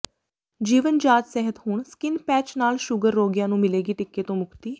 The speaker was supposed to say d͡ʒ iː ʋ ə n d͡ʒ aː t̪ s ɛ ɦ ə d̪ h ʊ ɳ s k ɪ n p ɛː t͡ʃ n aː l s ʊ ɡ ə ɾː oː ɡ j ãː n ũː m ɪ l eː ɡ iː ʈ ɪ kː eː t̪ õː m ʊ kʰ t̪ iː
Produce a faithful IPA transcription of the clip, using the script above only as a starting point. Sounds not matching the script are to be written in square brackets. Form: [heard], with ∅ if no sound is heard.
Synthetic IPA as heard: d͡ʒ iː ʋ ə n d͡ʒ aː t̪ s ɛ ɦ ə [t̪] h ʊ ɳ s k ɪ n p ɛː t͡ʃ n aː l [ʃ] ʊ ɡ ə ɾː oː ɡ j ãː n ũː m ɪ l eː ɡ iː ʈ ɪ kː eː t̪ õː m ʊ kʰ t̪ iː